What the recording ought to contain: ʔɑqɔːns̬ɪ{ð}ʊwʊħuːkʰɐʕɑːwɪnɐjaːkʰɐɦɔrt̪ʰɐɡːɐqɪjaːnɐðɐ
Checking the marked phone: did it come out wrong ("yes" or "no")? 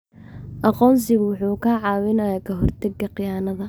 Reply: yes